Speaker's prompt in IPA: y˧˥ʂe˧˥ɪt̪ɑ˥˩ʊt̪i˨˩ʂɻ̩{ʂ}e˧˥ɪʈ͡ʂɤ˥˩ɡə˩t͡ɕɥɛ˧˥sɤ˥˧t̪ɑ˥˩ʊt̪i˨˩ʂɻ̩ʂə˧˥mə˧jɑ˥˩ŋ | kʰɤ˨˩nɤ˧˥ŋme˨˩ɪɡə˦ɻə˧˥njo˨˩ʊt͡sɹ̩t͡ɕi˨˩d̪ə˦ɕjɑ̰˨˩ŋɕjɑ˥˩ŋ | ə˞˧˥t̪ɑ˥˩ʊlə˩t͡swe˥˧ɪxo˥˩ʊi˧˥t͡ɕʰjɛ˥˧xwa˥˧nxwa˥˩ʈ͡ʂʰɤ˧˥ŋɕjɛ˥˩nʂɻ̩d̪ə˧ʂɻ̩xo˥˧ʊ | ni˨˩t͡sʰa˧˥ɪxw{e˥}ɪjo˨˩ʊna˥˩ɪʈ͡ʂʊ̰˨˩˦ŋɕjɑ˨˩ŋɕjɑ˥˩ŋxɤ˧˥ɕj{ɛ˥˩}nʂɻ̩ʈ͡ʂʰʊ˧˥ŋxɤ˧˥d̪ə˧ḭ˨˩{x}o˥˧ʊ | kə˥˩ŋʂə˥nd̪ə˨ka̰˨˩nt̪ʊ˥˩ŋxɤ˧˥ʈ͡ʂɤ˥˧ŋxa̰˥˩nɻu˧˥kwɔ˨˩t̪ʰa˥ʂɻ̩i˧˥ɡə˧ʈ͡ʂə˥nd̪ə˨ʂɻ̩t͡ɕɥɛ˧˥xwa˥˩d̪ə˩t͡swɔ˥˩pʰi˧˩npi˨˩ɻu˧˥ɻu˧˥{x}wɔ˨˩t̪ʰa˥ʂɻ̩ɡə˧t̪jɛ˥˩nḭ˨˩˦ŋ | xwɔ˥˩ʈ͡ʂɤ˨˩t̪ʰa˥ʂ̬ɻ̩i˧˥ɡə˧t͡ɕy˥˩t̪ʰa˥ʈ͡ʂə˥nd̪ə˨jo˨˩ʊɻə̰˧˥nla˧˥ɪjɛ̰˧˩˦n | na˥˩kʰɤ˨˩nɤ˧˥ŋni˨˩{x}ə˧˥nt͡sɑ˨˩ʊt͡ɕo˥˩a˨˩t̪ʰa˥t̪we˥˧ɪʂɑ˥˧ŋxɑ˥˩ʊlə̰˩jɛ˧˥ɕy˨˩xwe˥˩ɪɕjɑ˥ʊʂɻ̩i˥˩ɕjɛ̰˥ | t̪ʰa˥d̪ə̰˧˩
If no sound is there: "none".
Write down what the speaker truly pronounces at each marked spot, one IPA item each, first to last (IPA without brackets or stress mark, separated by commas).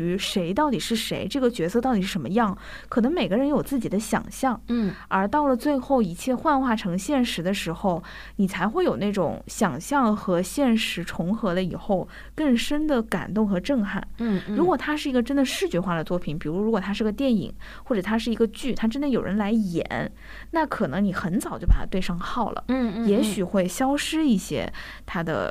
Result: ʂ, e˥˩, ɛ˥˩, x, k, x